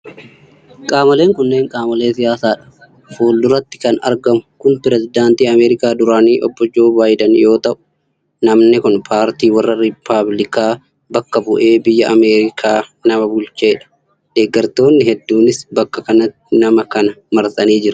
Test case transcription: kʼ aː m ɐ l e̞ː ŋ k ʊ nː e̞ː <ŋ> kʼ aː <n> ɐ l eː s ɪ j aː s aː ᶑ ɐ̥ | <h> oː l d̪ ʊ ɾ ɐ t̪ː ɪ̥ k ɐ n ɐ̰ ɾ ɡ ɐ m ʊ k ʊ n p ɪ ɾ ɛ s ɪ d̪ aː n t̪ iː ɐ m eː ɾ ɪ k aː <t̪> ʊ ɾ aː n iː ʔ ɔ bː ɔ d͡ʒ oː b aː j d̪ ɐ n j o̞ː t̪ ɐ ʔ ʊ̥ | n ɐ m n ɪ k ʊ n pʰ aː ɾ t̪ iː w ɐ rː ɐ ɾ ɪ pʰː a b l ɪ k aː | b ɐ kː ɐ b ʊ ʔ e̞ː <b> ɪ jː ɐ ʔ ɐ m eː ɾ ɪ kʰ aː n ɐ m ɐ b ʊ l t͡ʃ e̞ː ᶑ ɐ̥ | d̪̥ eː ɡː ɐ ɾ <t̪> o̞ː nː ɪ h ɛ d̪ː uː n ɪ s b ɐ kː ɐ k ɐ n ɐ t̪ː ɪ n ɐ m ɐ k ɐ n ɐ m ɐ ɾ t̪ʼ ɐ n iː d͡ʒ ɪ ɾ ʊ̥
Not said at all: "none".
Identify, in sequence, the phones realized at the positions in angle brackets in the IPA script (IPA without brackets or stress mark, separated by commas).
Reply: ŋ, m, f, d̪, b, t̪